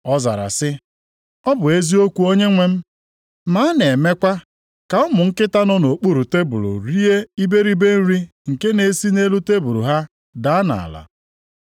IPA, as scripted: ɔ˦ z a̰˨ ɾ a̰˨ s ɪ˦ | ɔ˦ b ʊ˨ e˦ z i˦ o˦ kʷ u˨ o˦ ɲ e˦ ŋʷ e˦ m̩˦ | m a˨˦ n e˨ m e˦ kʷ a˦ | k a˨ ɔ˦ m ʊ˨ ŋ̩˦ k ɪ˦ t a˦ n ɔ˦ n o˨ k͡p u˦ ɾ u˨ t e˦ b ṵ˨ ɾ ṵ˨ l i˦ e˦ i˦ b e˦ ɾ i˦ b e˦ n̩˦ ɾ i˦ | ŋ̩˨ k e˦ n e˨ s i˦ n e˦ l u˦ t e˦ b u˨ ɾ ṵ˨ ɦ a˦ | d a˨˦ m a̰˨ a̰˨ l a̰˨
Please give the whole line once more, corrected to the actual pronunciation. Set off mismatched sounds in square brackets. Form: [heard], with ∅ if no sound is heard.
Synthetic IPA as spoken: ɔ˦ z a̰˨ ɾ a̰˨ s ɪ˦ | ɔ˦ b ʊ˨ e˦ z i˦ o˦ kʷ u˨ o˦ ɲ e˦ ŋʷ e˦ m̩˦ | m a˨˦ n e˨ m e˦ kʷ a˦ | k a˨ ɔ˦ m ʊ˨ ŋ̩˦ k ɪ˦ t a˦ n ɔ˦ n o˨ k͡p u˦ ɾ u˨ t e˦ b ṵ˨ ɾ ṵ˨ [ɾ] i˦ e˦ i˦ b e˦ ɾ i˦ b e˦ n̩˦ ɾ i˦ | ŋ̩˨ k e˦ n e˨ s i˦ n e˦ l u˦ t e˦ b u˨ ɾ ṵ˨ ɦ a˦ | d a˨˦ [n] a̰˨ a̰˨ l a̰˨